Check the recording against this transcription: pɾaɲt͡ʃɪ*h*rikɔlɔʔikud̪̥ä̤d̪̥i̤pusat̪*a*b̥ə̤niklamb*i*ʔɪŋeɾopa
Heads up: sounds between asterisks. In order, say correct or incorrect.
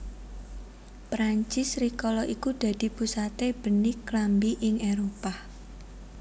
incorrect, incorrect, correct

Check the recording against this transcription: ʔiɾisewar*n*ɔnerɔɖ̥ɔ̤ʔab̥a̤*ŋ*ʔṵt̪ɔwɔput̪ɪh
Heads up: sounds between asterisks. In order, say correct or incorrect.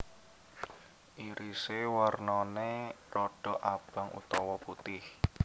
correct, correct

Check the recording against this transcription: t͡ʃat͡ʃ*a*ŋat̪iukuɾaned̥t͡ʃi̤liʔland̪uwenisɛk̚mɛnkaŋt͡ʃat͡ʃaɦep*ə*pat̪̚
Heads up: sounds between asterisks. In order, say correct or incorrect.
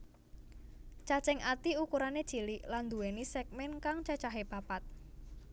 incorrect, incorrect

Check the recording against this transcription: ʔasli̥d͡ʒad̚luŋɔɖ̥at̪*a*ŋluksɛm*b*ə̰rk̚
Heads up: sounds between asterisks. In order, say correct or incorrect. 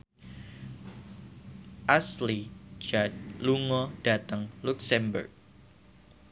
incorrect, correct

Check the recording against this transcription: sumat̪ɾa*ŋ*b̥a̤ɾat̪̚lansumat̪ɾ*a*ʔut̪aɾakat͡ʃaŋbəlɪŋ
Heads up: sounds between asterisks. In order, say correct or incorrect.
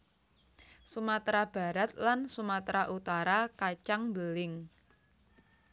incorrect, correct

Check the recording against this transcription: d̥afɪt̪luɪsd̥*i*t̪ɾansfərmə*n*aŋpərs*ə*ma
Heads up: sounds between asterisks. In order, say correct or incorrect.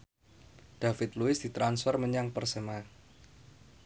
correct, incorrect, correct

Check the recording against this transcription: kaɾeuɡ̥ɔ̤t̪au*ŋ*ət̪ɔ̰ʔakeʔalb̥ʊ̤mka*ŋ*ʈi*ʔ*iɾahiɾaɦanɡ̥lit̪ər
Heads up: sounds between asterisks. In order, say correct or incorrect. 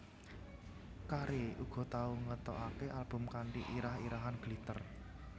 correct, incorrect, correct

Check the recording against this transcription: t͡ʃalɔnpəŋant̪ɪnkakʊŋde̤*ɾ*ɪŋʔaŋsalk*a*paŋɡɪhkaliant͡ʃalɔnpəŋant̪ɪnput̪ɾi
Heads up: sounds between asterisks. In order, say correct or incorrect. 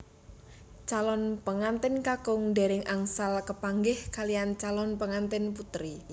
correct, incorrect

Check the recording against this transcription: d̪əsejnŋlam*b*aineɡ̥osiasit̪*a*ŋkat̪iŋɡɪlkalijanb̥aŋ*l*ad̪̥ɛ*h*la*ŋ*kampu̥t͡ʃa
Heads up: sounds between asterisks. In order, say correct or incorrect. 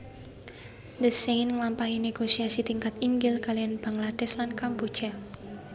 incorrect, incorrect, correct, incorrect, incorrect

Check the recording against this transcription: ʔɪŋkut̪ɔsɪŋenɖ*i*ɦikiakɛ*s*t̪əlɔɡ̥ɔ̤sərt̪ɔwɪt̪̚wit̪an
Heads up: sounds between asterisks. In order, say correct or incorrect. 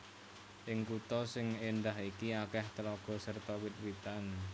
incorrect, incorrect

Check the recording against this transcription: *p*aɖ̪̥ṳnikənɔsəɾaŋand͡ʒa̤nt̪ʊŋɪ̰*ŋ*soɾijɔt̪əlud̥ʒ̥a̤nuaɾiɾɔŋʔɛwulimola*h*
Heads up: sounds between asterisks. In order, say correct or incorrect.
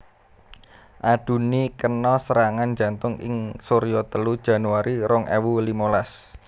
incorrect, correct, incorrect

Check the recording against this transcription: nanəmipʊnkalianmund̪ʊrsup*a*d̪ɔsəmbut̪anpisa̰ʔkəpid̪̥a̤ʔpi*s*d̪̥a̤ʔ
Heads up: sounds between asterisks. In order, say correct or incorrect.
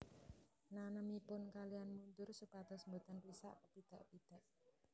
correct, incorrect

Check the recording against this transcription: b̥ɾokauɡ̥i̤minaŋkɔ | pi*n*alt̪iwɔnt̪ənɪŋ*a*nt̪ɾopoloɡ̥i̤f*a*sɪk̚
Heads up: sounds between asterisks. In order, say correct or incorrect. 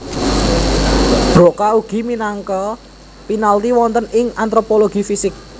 correct, correct, incorrect

